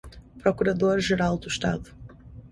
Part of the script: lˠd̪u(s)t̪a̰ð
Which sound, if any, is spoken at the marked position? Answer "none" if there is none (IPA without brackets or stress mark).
ʃ